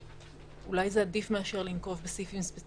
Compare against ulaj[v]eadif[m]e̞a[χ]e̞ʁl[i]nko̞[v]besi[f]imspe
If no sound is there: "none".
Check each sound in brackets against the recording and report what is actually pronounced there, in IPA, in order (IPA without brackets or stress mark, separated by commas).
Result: z, m, ʃ, i, v, f